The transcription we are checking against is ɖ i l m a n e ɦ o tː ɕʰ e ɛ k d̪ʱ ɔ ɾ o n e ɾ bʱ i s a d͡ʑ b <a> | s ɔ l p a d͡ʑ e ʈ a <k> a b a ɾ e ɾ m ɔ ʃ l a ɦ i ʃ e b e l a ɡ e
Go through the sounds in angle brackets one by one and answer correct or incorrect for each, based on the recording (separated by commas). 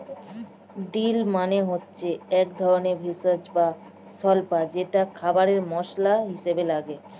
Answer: correct, incorrect